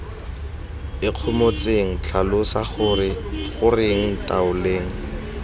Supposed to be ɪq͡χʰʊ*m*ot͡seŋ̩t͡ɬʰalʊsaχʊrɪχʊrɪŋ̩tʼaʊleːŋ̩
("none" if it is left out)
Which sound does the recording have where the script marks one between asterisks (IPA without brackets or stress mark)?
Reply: m